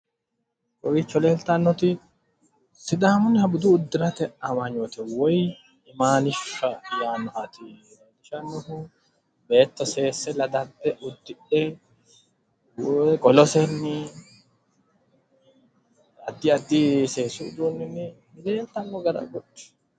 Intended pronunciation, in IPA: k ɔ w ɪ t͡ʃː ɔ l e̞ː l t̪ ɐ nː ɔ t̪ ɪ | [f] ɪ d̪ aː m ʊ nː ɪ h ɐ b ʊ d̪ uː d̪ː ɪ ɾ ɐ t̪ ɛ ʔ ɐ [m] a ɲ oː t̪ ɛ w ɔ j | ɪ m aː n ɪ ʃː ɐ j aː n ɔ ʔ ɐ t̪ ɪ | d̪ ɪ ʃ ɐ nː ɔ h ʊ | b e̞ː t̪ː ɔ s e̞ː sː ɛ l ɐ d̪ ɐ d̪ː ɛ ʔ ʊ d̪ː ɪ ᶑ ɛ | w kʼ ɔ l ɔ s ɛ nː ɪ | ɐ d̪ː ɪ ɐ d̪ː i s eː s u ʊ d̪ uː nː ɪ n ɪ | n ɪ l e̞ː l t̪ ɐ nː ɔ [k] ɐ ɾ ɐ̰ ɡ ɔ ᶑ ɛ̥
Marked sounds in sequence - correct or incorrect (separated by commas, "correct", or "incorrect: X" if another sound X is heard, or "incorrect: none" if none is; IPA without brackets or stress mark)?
incorrect: s, correct, incorrect: ɡ